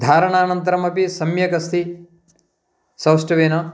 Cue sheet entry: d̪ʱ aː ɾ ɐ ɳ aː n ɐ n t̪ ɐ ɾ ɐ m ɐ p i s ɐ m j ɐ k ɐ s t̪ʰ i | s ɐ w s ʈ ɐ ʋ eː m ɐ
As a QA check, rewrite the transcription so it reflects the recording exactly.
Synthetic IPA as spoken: d̪ʱ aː ɾ ɐ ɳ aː n ɐ n t̪ ɐ ɾ ɐ m ɐ p i s ɐ m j ɐ k ɐ s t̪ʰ i | s ɐ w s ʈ ɐ ʋ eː n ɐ